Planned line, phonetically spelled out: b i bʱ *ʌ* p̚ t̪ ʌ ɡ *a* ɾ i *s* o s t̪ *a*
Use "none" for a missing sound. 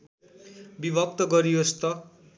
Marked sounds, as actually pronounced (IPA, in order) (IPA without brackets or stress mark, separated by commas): ʌ, ʌ, none, ʌ